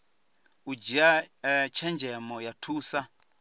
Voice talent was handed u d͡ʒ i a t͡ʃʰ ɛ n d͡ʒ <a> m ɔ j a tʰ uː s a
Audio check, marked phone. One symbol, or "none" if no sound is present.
ɛ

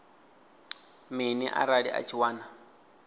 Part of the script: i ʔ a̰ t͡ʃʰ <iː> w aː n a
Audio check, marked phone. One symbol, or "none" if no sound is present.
i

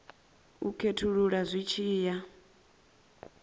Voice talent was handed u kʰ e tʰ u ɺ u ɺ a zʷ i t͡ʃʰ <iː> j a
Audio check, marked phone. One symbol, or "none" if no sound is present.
iː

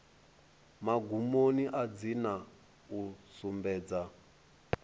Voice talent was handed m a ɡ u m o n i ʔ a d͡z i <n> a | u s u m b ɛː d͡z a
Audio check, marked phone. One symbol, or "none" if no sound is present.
n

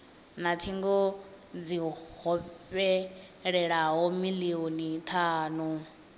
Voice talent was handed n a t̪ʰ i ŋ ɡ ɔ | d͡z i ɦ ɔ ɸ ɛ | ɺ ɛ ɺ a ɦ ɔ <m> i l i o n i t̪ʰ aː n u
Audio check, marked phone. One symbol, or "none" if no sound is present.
m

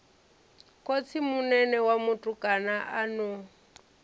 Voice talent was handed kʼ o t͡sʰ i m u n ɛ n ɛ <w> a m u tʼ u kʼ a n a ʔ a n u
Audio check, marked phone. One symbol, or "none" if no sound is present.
w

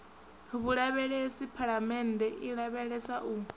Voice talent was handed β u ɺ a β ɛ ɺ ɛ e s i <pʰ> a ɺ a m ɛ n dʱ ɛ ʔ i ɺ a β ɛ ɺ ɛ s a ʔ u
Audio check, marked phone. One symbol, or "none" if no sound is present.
pʰ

